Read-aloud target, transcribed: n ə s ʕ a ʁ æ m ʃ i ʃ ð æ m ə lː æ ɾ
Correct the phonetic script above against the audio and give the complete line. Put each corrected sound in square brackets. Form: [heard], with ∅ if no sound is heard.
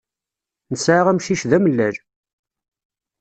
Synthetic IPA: n ə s ʕ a ʁ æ m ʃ i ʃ ð æ m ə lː æ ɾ